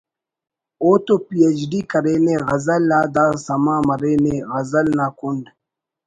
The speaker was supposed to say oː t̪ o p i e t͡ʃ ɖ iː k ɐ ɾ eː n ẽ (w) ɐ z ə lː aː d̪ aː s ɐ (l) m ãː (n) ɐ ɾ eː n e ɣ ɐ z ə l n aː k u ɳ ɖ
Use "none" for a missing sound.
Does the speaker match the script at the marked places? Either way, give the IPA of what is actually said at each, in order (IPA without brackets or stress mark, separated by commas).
ɣ, none, m